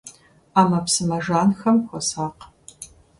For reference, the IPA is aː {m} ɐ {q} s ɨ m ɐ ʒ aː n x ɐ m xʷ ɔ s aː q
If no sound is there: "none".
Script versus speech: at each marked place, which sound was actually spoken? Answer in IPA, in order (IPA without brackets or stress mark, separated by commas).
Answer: m, p